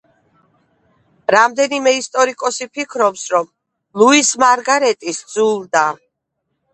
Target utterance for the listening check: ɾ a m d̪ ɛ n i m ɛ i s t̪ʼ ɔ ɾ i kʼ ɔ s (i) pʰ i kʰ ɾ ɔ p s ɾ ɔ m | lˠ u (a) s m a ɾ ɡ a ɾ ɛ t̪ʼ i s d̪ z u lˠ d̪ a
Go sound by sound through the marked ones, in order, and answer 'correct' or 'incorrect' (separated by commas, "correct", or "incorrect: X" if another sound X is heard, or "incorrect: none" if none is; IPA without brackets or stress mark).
correct, incorrect: i